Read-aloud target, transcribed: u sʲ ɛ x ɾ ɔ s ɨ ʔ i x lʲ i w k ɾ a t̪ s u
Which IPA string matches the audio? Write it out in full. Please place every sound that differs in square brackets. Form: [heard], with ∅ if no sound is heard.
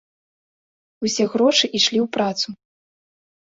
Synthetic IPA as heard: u sʲ ɛ [ɣ] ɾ ɔ [ʂ] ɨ ʔ i [ʂ] lʲ i w [p] ɾ a t̪ s u